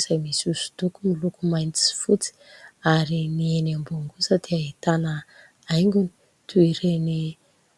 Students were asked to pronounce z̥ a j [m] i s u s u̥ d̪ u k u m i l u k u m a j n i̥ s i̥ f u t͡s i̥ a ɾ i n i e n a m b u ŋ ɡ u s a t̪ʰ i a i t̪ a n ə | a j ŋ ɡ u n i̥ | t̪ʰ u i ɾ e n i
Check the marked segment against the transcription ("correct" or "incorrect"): correct